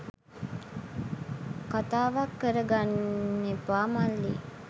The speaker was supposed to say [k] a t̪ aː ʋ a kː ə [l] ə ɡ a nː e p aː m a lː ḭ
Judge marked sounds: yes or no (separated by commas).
yes, no